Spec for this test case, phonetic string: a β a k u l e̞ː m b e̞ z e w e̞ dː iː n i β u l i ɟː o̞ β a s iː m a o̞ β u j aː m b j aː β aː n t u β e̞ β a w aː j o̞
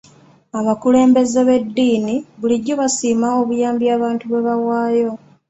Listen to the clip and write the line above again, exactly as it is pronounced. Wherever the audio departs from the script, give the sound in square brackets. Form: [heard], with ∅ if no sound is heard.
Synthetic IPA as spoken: a β a k u l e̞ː m b e̞ z e [β] e̞ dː iː n i β u l i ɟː o̞ β a s iː m a o̞ β u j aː m b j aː β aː n t u β e̞ β a w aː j o̞